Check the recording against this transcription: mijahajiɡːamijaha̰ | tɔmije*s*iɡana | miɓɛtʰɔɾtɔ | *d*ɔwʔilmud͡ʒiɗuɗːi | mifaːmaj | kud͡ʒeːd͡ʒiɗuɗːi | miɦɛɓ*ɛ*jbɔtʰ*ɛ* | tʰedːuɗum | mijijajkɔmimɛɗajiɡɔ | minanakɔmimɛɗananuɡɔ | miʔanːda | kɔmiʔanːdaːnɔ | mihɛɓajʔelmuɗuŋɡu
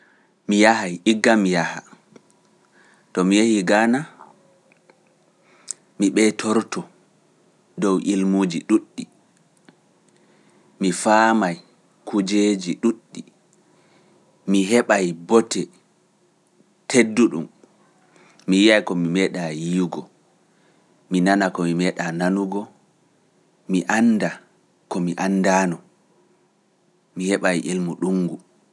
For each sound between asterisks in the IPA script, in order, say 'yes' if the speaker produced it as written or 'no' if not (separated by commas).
no, yes, no, yes